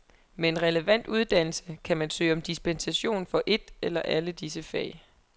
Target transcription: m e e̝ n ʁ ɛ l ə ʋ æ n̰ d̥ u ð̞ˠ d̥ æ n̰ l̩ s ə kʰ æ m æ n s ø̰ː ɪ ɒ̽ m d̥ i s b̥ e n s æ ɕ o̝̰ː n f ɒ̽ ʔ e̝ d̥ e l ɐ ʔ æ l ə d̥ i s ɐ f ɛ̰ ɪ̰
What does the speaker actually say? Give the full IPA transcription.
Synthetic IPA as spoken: m e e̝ n ʁ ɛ l ə ʋ æ n̰ d̥ u ð̞ˠ d̥ æ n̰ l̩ s ə kʰ æ m æ n s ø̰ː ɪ ɒ̽ m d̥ i s b̥ e n s æ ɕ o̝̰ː n f ɒ̽ ʔ e̝ d̥ e l ɐ ʔ æ l ə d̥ i s ə f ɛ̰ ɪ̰